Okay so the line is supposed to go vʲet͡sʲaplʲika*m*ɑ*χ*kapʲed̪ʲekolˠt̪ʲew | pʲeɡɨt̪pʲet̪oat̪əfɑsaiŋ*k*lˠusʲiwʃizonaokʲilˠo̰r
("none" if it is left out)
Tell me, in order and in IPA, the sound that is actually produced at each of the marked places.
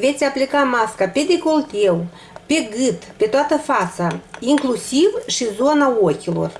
m, s, k

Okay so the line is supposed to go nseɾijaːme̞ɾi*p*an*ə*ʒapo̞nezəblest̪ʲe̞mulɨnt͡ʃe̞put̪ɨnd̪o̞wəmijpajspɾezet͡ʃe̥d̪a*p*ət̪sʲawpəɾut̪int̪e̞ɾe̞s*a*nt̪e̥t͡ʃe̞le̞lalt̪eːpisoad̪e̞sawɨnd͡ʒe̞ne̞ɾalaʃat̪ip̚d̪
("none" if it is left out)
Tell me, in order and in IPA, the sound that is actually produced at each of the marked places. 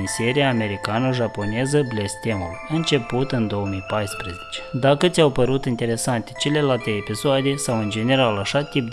k, ə, k, a

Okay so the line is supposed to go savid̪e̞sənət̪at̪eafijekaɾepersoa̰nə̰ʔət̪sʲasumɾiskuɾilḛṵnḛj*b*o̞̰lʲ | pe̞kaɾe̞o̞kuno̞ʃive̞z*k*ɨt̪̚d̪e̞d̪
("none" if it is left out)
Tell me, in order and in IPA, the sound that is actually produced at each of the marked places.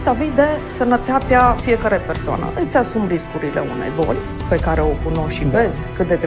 b, k

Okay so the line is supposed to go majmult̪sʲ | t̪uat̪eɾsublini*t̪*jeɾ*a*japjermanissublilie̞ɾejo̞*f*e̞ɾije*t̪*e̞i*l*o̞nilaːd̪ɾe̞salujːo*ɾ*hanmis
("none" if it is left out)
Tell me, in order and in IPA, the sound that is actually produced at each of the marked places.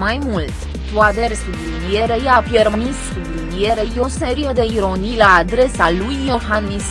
none, e, s, d̪, ɾ, none

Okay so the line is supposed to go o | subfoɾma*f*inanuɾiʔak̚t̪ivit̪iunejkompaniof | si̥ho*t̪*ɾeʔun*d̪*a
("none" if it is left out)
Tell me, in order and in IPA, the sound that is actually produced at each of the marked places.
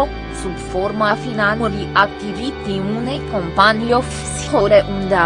f, none, d̪

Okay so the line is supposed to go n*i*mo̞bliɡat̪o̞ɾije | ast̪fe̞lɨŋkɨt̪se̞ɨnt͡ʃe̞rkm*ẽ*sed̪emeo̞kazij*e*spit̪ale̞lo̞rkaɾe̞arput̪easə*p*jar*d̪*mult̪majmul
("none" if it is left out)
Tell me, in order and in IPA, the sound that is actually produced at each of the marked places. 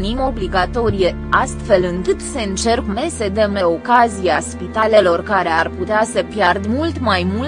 i, e, a, p, d̪

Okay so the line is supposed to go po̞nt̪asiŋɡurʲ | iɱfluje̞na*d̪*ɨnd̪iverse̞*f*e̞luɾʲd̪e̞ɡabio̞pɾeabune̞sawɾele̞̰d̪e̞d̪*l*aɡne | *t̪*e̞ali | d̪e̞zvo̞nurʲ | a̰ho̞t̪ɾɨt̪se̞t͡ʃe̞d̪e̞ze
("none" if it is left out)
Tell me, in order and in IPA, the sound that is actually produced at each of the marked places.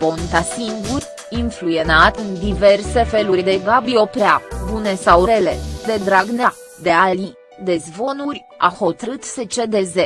t̪, f, ɾ, d̪

